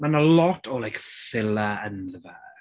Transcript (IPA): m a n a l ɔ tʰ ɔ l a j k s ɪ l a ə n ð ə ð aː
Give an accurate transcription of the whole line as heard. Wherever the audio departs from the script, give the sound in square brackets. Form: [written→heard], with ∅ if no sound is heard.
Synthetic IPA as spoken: m a n [a→ə] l ɔ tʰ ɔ l a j k [s→f] ɪ l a ə n ð ə [ð→v] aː